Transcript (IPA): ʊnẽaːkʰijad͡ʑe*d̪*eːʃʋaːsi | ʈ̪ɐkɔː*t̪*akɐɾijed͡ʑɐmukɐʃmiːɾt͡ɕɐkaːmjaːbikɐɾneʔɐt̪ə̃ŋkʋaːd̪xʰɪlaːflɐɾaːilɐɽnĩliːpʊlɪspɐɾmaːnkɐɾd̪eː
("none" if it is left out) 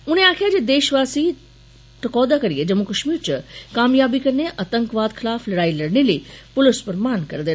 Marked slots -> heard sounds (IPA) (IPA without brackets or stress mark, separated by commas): d̪, d̪